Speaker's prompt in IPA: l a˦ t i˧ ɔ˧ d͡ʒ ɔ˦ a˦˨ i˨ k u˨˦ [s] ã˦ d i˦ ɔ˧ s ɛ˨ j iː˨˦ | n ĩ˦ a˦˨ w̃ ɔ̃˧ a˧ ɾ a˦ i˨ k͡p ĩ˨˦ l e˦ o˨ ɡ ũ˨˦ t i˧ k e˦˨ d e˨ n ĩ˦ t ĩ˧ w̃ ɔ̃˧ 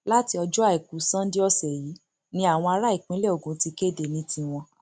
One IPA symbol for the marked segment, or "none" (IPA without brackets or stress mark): s